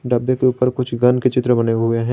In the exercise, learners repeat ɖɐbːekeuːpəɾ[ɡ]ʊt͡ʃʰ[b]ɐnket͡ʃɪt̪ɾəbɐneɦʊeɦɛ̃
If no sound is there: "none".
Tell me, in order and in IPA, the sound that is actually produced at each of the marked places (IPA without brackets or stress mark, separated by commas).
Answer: k, ɡ